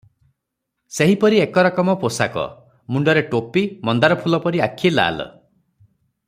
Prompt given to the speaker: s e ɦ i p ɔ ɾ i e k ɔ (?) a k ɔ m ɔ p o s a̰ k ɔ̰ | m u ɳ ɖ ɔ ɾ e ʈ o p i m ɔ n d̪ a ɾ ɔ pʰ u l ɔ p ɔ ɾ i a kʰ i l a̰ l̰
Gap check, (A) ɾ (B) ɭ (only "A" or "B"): A